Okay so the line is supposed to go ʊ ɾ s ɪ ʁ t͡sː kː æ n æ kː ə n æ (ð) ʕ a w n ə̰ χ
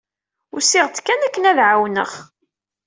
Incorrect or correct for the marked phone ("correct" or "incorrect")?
correct